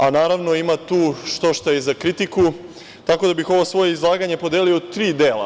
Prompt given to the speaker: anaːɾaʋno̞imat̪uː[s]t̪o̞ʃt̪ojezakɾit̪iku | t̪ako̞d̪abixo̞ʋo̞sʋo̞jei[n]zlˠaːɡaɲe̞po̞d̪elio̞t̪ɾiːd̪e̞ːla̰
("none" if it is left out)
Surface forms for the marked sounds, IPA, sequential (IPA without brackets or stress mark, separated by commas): ʃ, none